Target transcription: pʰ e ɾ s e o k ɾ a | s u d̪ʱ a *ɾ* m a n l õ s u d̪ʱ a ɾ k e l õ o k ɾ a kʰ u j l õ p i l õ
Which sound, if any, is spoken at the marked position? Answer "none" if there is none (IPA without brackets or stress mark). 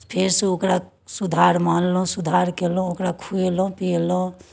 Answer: ɾ